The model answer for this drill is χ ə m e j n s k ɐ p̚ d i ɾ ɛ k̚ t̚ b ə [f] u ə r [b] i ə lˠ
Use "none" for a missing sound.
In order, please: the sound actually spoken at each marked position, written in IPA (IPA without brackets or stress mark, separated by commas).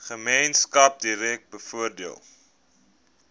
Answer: f, d